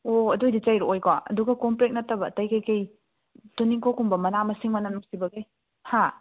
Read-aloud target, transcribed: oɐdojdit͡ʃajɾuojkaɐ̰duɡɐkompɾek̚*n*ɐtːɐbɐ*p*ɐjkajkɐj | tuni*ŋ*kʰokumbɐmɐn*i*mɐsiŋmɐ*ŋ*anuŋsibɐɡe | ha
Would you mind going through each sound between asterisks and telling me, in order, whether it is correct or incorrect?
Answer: correct, incorrect: t, correct, incorrect: a, incorrect: n

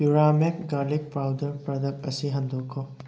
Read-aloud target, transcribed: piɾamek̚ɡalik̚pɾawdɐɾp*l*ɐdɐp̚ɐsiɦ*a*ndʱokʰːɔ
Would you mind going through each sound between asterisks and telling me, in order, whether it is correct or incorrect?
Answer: incorrect: ɾ, incorrect: ɐ

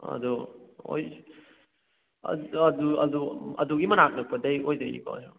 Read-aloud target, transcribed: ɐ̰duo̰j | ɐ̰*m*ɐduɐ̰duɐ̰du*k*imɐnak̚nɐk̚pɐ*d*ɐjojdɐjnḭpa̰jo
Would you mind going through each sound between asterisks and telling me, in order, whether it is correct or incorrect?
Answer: incorrect: none, incorrect: ɡ, correct

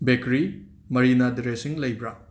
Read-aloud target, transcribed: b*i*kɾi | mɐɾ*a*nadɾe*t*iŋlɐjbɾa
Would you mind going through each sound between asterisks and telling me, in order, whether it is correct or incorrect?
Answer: incorrect: e, incorrect: i, incorrect: s

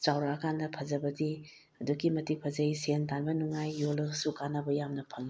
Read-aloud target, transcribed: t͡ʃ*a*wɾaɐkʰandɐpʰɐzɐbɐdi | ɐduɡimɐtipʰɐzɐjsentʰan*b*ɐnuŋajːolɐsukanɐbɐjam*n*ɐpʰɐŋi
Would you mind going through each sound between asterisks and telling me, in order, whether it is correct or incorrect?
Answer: correct, correct, correct

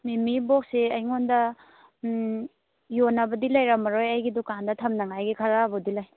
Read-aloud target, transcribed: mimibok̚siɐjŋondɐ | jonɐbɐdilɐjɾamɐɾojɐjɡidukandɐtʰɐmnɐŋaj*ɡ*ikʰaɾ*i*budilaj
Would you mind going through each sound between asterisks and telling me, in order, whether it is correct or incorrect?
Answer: correct, incorrect: a

